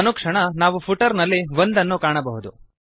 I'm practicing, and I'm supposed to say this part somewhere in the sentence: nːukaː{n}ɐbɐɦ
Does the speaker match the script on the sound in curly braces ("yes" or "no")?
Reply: no